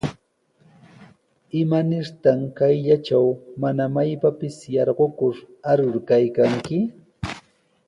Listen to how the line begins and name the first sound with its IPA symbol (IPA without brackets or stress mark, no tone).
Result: ɪ